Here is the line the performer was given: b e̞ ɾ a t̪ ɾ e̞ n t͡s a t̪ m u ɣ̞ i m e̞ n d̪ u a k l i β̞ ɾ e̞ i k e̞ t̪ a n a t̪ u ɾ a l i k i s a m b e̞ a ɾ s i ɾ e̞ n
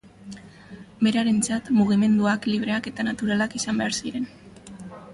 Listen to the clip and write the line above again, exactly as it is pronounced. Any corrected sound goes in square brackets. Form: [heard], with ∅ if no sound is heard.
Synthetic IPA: b e̞ ɾ a [∅] ɾ e̞ n t͡s a t̪ m u ɣ̞ i m e̞ n d̪ u a k l i β̞ ɾ e̞ [a] k e̞ t̪ a n a t̪ u ɾ a l [a] k i s a m b e̞ a ɾ s i ɾ e̞ n